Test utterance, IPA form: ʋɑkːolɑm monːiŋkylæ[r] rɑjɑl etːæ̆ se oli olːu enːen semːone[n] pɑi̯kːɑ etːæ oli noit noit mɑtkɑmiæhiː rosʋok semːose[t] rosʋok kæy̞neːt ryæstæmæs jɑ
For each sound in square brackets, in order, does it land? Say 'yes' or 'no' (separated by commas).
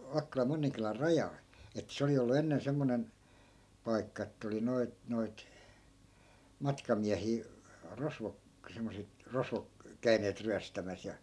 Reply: yes, yes, yes